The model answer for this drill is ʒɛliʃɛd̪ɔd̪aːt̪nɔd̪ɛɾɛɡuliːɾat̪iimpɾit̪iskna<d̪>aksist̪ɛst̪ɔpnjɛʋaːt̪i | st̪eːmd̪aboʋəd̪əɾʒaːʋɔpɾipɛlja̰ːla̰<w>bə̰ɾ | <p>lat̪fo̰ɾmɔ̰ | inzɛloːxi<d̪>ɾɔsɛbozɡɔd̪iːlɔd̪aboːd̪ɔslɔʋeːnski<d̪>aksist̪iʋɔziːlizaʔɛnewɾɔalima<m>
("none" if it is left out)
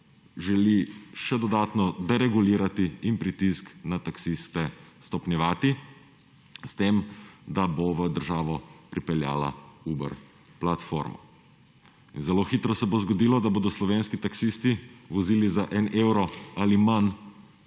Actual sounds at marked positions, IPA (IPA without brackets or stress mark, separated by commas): t̪, u, p, t̪, t̪, n